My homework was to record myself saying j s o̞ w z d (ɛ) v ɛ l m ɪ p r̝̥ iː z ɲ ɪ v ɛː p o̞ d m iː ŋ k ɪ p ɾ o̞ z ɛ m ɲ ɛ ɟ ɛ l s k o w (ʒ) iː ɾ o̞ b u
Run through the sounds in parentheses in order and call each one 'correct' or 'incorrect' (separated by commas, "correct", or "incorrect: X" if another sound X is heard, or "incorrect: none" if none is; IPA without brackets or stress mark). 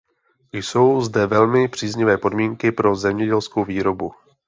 correct, incorrect: v